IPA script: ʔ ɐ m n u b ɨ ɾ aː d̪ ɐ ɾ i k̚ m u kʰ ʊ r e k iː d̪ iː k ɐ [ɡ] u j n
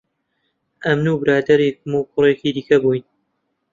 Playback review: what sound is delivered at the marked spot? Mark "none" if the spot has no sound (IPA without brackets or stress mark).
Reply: b